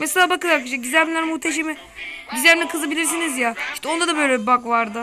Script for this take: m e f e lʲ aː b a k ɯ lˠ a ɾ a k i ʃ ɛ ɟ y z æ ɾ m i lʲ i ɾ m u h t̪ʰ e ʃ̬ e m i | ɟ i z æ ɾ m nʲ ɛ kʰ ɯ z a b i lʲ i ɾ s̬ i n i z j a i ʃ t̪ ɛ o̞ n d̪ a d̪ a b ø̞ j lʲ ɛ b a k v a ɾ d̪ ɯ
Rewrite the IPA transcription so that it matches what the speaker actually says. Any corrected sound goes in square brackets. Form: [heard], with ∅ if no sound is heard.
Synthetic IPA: m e [s] e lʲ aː b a k ɯ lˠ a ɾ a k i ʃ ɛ ɟ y z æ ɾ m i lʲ [æ] ɾ m u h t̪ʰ e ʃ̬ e m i | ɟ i z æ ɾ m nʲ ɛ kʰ ɯ z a b i lʲ i ɾ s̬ i n i z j a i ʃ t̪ ɛ o̞ n d̪ a d̪ a b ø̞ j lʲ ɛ b a k v a ɾ d̪ ɯ